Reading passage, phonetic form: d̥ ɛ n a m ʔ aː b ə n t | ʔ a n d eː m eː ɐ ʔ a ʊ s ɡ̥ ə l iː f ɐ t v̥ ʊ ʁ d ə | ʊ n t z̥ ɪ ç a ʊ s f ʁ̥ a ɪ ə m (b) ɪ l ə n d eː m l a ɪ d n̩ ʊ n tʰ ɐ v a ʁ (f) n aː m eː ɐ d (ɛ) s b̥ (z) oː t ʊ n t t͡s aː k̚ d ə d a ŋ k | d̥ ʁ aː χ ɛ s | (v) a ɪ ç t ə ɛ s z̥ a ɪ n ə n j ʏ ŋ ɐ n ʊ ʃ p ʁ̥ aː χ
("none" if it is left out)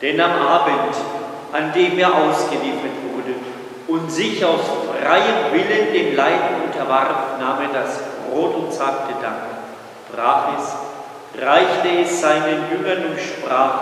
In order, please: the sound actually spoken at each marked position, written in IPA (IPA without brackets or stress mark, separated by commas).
v, f, a, ʁ, ʁ